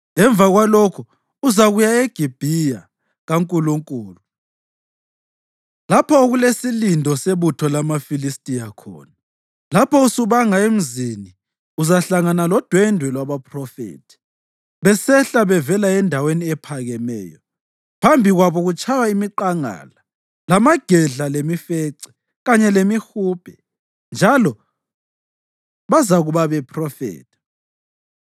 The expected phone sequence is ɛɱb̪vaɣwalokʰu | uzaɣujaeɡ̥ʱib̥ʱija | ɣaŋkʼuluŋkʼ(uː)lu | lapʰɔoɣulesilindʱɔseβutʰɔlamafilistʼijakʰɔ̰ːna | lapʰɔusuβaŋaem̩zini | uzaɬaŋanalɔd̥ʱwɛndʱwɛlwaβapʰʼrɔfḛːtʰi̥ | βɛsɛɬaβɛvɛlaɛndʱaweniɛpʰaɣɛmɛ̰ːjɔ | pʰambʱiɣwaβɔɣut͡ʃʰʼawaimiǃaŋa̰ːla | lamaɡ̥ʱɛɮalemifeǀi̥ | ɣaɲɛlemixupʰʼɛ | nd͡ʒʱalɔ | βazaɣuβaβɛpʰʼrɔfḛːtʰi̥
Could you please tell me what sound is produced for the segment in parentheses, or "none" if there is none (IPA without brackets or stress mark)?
uː